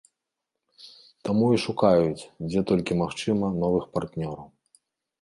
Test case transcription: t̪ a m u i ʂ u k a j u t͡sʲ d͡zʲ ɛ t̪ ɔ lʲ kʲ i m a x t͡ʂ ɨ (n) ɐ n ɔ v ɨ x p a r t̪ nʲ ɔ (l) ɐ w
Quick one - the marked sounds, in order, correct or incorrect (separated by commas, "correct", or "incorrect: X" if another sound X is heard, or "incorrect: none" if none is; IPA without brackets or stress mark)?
incorrect: m, incorrect: ɾ